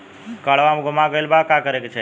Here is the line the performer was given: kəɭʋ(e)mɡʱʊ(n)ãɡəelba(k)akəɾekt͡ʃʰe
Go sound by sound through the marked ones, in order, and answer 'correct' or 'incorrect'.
incorrect: a, incorrect: m, correct

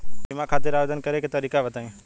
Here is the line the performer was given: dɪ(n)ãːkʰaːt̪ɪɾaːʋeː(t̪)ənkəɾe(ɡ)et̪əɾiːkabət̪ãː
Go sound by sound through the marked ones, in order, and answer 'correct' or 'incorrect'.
incorrect: m, incorrect: d̪, incorrect: k

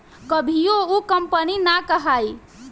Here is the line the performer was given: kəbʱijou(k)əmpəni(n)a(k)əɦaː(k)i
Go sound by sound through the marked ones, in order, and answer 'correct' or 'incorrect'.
correct, correct, correct, incorrect: none

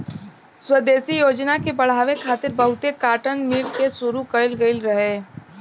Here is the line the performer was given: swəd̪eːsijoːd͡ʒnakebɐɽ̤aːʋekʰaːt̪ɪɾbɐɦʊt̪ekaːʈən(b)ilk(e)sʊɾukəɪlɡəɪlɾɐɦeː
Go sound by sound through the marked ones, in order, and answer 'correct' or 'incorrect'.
incorrect: m, correct

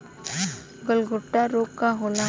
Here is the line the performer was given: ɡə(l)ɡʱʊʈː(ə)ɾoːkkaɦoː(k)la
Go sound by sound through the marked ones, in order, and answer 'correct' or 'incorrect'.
correct, incorrect: a, incorrect: none

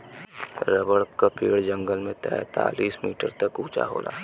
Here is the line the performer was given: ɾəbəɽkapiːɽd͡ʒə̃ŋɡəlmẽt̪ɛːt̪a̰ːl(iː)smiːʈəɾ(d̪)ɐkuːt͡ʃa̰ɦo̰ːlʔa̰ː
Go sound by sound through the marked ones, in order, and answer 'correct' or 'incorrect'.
correct, incorrect: t̪

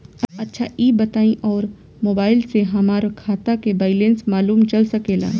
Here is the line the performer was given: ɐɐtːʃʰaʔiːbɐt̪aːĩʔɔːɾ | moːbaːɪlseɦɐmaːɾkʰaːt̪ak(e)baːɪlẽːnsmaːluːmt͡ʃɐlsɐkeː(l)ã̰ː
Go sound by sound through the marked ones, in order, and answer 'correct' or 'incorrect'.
correct, correct

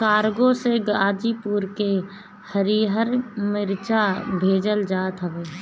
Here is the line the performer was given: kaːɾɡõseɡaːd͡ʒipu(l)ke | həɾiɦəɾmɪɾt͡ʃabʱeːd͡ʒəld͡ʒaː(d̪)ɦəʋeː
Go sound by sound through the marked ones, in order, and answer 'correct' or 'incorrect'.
incorrect: ɾ, incorrect: t̪

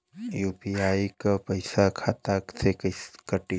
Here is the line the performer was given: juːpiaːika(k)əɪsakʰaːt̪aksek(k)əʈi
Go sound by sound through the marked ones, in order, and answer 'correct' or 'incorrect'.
incorrect: p, correct

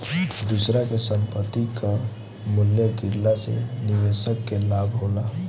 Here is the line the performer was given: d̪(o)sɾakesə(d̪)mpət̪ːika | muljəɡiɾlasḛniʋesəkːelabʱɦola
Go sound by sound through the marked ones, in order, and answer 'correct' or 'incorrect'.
incorrect: u, incorrect: none

